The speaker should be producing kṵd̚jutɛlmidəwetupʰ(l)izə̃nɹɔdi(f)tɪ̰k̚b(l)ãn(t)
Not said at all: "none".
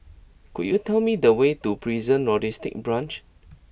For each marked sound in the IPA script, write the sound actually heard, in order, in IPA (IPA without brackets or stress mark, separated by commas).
ɹ, s, ɹ, t͡ʃ